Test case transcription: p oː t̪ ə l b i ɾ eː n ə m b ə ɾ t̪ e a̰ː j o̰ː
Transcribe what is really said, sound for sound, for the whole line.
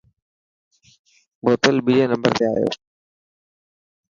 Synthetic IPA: b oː t̪ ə l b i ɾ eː n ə m b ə ɾ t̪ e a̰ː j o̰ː